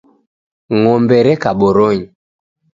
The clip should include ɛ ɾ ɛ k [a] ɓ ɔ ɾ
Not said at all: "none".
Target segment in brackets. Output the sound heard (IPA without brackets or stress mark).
a